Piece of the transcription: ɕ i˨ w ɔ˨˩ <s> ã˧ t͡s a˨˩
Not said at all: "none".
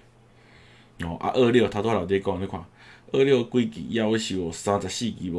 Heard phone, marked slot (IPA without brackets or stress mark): s